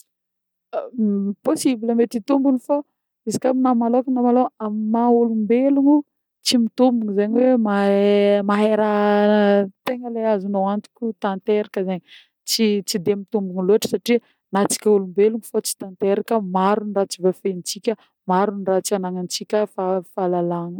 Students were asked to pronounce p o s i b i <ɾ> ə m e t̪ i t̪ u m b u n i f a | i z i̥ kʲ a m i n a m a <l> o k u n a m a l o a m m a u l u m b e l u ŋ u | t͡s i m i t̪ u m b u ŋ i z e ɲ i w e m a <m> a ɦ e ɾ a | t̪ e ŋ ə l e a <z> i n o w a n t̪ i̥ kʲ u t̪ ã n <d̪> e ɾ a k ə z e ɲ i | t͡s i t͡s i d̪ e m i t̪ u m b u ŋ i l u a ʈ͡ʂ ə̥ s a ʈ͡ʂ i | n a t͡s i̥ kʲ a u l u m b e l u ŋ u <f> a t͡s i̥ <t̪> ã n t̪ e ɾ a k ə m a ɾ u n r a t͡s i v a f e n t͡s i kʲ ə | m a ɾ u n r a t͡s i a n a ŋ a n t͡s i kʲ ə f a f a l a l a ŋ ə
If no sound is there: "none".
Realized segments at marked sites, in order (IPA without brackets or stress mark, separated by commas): l, l, m, z, t̪, f, t̪